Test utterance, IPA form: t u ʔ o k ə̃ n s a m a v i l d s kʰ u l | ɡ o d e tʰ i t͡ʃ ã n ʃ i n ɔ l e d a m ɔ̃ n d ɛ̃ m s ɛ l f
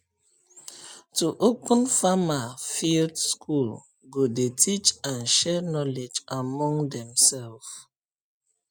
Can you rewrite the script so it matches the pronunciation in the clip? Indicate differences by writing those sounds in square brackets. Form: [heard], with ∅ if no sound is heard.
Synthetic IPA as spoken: t u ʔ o k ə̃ n [f] a m a [f] i l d s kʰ u l | ɡ o d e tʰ i t͡ʃ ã n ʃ [ɛ] n ɔ l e [d͡ʒ] a m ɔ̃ [ŋ] d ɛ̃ m s ɛ l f